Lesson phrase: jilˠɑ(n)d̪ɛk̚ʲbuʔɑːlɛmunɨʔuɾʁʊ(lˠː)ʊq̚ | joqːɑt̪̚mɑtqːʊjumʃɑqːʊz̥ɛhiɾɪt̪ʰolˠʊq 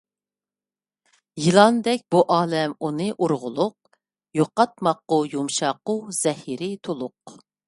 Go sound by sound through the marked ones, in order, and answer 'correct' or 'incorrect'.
correct, incorrect: lˠ

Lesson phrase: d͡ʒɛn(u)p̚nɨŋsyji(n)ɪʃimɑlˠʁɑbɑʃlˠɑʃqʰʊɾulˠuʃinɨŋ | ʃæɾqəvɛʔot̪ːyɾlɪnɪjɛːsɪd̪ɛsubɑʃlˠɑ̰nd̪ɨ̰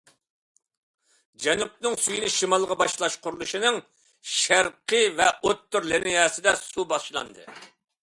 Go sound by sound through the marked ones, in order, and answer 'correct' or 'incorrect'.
correct, correct

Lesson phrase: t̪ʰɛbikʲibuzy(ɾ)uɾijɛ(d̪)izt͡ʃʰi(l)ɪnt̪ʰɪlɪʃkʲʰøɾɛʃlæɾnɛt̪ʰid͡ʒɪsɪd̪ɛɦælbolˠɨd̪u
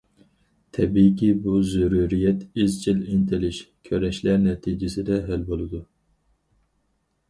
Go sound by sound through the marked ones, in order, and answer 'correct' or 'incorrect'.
correct, incorrect: t̪, correct

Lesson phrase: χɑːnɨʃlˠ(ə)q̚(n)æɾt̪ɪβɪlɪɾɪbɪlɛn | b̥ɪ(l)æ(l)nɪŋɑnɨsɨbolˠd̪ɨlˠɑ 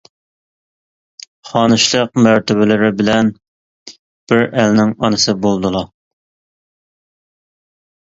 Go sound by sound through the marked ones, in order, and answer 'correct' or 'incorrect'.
correct, incorrect: m, incorrect: ɾ, correct

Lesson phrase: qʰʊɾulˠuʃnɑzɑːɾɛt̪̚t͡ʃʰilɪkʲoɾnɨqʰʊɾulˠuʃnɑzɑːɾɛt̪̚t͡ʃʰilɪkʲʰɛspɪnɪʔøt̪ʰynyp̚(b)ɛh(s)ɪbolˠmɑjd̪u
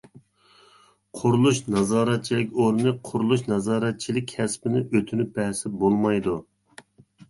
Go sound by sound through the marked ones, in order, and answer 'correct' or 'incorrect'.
correct, correct

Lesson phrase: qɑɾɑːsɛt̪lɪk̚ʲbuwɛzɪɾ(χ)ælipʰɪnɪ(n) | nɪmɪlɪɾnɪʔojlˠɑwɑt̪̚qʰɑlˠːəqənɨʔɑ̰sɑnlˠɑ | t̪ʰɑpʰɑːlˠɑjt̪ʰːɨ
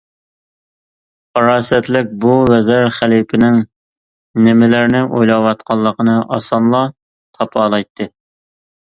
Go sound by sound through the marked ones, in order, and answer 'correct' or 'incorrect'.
correct, incorrect: ŋ

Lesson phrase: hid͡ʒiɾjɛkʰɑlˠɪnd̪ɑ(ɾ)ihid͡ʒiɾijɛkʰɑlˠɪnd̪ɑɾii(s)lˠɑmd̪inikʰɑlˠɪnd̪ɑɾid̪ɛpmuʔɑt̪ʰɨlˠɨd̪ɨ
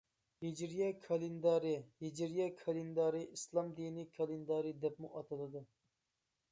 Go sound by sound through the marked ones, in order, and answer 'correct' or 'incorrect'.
correct, correct

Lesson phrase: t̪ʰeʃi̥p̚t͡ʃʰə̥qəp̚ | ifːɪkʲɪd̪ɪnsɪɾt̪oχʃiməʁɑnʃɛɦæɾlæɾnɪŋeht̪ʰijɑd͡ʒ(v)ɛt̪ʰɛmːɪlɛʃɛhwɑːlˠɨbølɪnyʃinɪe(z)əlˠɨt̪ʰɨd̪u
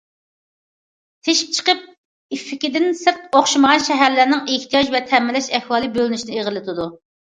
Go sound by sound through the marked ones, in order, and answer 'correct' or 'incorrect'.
correct, incorrect: ʁ

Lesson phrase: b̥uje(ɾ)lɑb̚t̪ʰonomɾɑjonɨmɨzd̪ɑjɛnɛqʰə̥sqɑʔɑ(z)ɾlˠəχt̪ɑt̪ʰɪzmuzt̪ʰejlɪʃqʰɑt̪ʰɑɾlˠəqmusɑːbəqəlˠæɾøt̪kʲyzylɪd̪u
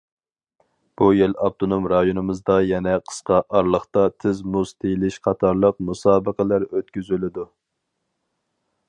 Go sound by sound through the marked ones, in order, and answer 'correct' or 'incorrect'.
incorrect: none, incorrect: none

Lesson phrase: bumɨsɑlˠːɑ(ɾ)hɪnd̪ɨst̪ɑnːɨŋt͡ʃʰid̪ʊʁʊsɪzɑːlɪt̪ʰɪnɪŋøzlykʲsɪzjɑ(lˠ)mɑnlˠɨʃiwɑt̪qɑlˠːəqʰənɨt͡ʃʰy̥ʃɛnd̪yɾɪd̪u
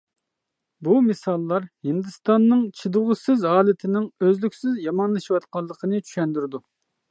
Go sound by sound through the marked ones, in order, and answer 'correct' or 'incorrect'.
correct, incorrect: none

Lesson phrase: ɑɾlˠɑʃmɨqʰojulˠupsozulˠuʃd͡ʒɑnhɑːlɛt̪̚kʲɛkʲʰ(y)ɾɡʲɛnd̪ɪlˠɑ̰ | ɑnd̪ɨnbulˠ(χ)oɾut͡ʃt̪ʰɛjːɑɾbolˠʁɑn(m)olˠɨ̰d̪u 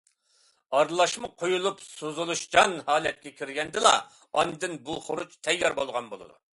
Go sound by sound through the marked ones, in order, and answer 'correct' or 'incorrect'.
incorrect: i, correct, incorrect: b

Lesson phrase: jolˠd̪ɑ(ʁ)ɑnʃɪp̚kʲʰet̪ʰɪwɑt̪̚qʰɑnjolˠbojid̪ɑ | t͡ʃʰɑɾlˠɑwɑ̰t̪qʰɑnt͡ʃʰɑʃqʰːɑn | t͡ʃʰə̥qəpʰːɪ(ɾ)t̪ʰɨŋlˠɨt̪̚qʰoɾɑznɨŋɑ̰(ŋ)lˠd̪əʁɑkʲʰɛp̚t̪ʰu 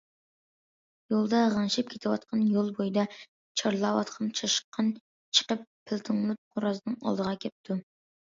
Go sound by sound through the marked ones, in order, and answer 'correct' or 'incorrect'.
correct, incorrect: l, incorrect: none

